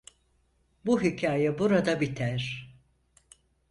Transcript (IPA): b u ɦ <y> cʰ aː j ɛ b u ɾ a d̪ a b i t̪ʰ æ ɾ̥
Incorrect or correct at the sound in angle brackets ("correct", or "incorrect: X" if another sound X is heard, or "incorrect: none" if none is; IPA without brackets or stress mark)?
incorrect: i